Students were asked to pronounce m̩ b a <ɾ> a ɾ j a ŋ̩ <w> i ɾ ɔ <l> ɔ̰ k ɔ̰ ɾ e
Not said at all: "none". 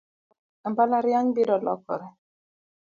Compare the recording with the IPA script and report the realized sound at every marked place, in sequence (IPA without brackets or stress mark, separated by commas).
l, b, l